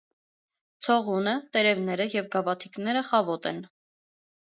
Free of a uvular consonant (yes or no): no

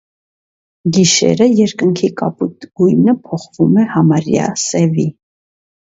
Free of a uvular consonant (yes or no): no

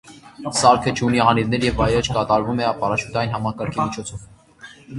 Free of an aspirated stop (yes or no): no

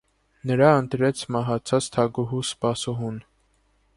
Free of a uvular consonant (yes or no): yes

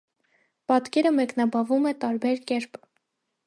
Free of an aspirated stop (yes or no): yes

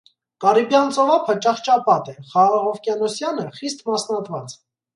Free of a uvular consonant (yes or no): no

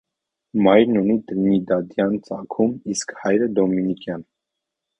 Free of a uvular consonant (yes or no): yes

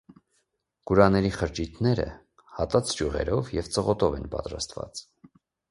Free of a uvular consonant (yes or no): no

